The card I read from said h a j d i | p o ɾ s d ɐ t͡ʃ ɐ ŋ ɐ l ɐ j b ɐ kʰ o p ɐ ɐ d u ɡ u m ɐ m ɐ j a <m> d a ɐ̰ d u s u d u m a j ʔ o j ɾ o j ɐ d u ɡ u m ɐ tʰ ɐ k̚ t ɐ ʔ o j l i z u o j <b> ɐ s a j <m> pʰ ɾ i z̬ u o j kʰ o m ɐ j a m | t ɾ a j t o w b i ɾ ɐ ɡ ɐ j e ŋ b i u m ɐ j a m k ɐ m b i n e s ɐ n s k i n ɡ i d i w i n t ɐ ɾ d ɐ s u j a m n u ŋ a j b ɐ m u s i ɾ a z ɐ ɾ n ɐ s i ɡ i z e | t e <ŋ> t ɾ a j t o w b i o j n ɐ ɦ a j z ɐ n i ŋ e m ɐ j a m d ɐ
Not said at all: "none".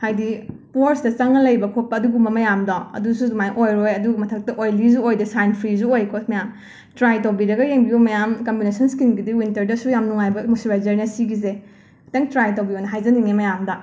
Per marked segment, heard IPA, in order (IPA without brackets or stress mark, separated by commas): m, d, n, ŋ